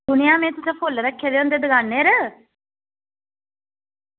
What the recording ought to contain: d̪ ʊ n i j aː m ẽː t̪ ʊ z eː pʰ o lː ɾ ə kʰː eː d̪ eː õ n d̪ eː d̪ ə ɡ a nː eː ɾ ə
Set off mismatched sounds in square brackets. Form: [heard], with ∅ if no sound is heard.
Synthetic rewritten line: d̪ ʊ n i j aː m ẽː t̪ ʊ [s] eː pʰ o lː ɾ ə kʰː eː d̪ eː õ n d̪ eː d̪ ə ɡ a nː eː ɾ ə